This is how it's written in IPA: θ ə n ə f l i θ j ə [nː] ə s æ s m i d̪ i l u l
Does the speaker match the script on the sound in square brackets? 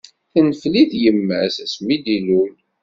no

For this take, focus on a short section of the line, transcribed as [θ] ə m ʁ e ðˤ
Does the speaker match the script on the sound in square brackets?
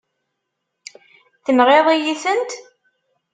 yes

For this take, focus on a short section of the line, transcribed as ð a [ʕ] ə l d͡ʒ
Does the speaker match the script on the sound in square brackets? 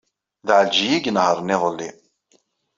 yes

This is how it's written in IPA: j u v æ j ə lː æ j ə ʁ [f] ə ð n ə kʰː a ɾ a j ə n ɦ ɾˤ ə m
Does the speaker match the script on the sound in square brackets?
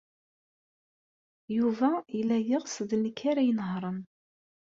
no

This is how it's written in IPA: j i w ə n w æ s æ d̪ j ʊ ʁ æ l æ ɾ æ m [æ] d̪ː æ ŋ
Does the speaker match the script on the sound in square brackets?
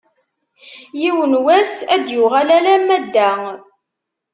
yes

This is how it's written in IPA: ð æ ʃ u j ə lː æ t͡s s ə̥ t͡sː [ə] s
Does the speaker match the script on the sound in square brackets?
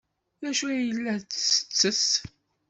yes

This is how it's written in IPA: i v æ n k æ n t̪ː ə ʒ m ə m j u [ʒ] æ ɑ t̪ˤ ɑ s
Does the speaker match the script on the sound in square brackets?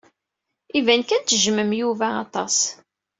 no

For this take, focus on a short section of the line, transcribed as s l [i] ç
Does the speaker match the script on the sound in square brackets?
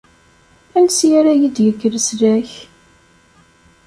no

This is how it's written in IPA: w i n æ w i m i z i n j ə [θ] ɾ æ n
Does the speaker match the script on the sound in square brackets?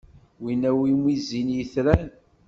yes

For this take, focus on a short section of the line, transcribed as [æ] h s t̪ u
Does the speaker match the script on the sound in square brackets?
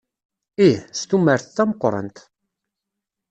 no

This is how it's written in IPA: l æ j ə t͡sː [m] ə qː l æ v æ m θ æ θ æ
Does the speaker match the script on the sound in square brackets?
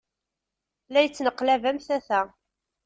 no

